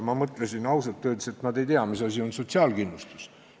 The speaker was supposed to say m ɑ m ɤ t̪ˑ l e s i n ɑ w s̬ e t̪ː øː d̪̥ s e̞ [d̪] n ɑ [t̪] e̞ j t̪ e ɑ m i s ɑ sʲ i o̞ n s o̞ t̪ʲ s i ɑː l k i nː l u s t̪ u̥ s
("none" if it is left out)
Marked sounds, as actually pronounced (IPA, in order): t̪, d̪

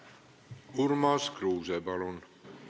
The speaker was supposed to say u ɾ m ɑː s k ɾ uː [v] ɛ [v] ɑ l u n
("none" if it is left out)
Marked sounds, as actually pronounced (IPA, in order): z, b

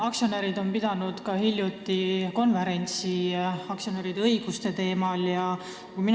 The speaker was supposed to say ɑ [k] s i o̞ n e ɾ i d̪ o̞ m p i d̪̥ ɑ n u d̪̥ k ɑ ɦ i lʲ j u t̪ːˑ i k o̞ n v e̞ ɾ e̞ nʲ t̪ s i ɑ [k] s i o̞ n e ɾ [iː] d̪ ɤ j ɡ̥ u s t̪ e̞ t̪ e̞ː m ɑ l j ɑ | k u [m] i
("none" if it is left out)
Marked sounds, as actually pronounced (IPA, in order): k, k, i, m

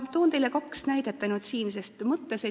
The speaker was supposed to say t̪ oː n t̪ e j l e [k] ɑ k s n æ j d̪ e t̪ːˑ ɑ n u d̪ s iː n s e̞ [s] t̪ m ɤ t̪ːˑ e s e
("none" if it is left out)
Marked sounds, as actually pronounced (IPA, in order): k, s

